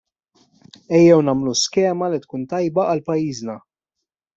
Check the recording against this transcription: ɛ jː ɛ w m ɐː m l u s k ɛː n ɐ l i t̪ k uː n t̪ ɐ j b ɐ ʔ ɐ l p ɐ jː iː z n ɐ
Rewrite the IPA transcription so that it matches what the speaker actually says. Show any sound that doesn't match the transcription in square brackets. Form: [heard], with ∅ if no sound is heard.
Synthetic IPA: ɛ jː ɛ w [n] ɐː m l u s k ɛː [m] ɐ l i t̪ k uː n t̪ ɐ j b ɐ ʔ ɐ l p ɐ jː iː z n ɐ